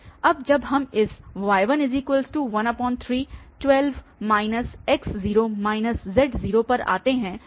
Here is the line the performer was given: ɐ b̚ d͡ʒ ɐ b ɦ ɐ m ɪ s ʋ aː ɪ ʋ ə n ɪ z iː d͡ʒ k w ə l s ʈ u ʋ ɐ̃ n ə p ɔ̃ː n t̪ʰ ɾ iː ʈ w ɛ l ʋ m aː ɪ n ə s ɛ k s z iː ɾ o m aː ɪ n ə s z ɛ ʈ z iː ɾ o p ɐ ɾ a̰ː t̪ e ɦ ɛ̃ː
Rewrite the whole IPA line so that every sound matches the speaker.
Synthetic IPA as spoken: ɐ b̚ d͡ʒ ɐ b ɦ ɐ m ɪ s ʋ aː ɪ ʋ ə n ɪ z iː k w ə l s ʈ u ʋ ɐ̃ n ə p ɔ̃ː n t̪ʰ ɾ iː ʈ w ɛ l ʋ m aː ɪ n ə s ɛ k s z iː ɾ o m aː ɪ n ə s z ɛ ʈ z iː ɾ o p ɐ ɾ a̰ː t̪ e ɦ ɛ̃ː